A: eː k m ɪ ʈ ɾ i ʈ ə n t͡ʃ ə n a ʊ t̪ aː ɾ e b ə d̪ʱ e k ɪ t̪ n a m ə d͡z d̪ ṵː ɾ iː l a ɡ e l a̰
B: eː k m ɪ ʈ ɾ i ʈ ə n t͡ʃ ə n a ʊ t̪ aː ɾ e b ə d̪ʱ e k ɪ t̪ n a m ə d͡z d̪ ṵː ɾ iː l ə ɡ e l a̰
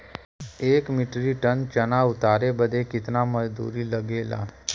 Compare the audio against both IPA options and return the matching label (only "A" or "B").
B